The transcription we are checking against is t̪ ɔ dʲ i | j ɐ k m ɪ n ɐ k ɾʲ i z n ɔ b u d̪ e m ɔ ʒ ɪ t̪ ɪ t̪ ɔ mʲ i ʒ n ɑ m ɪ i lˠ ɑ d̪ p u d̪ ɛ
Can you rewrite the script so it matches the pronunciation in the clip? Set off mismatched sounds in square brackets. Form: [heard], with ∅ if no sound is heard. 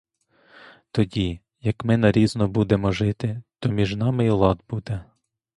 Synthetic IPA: t̪ ɔ dʲ i | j ɐ k m ɪ n ɐ [∅] ɾʲ i z n ɔ b u d̪ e m ɔ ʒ ɪ t̪ ɪ t̪ ɔ mʲ i ʒ n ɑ m ɪ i lˠ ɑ d̪ [b] u d̪ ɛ